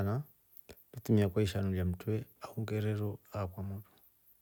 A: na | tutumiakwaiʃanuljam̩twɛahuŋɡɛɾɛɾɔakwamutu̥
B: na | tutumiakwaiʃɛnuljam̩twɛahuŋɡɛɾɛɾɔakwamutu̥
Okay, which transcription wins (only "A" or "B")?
A